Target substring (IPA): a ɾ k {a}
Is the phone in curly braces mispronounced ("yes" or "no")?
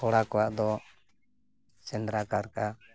no